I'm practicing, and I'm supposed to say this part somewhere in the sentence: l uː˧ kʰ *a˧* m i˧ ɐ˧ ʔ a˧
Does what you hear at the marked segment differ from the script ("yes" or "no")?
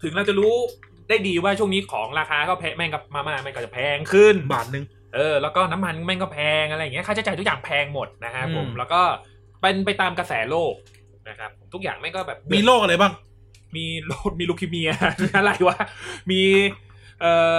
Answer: yes